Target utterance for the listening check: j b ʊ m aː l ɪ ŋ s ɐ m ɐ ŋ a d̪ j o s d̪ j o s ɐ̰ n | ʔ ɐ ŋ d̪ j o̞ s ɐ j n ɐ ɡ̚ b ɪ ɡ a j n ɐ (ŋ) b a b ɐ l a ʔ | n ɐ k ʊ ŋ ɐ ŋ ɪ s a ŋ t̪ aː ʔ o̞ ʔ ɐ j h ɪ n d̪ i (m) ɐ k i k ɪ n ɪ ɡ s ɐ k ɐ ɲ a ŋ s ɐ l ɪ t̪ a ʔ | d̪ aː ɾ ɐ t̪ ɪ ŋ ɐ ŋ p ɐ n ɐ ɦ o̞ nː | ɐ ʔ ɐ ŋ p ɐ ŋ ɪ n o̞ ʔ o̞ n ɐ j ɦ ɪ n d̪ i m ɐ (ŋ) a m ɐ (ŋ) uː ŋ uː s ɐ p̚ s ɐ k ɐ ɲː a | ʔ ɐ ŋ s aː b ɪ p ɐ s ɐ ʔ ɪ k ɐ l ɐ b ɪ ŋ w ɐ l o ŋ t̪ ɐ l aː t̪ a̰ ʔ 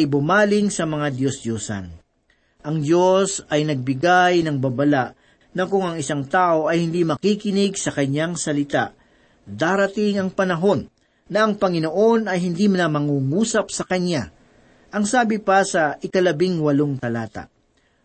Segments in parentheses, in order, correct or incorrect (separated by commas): correct, correct, incorrect, correct